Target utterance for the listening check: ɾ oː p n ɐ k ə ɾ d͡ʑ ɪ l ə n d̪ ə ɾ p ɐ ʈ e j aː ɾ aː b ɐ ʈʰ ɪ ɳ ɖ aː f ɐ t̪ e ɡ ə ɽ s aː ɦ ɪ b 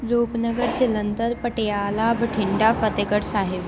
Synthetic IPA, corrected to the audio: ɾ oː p n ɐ ɡ ə ɾ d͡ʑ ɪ l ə n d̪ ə ɾ p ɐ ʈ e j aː l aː b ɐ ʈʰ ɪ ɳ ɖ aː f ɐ t̪ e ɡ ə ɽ s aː ɦ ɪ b